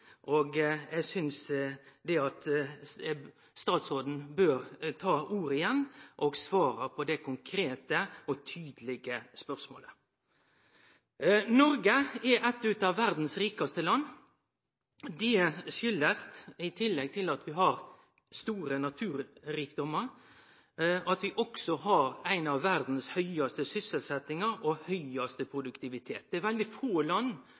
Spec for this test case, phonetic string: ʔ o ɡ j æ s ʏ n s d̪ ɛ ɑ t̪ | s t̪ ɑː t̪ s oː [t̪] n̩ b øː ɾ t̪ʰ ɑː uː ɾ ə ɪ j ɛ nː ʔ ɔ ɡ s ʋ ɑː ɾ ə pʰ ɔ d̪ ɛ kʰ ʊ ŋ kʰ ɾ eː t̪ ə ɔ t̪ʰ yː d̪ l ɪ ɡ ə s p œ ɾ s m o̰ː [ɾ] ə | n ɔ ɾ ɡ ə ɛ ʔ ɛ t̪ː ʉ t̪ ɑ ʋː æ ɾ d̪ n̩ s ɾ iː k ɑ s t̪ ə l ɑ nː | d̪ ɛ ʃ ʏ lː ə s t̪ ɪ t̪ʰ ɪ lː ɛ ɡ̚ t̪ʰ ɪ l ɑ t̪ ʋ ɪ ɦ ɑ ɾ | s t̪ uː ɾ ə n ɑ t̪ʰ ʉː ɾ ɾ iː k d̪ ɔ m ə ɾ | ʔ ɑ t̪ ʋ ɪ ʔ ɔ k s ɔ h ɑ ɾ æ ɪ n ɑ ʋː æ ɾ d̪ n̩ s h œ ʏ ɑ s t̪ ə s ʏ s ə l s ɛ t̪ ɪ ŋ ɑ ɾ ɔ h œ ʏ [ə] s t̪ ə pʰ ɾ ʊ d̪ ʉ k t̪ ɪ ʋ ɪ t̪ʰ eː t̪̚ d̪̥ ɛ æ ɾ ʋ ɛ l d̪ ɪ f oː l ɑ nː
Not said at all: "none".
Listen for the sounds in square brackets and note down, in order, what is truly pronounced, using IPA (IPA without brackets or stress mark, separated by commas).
d̪, l, ɑ